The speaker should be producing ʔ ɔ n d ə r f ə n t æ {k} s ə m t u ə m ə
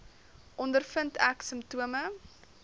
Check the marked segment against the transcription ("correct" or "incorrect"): correct